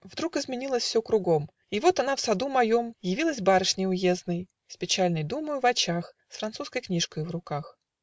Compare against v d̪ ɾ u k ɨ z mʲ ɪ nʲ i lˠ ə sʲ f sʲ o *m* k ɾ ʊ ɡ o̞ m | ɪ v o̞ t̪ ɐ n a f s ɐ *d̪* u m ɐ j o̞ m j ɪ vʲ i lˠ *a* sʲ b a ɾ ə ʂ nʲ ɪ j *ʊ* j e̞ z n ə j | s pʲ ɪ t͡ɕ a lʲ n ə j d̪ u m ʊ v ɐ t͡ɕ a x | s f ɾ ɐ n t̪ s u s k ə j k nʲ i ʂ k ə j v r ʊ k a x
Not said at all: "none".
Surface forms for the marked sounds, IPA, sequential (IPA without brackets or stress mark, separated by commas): none, d̪, ə, ʊ